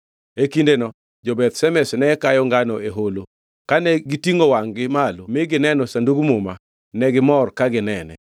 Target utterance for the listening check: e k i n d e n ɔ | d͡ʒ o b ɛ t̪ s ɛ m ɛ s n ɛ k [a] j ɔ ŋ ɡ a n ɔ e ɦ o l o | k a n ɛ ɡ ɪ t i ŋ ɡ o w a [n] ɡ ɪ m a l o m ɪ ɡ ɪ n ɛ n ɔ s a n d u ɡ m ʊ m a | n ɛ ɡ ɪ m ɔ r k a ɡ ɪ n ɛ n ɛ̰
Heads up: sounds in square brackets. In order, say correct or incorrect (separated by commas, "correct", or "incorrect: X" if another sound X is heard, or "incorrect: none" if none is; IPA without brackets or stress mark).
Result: correct, incorrect: ŋ